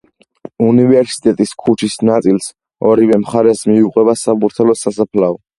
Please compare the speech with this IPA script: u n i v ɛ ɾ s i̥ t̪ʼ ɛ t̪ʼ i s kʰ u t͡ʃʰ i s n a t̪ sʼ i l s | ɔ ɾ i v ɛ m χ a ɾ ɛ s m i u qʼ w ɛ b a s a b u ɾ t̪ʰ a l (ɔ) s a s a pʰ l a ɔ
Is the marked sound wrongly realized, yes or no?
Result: no